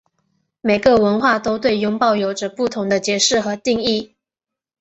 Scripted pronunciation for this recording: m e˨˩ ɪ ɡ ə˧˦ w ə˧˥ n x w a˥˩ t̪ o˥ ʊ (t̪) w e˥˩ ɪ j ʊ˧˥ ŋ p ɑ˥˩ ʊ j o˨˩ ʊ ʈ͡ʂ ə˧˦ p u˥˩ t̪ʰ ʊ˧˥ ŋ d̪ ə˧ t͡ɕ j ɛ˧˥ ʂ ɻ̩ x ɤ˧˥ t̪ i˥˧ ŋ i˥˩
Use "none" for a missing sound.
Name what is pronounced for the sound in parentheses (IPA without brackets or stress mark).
t̪